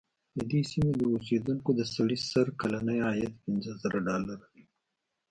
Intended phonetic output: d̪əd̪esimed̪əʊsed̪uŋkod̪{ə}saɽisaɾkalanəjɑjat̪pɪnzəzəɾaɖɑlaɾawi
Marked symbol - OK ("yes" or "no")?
yes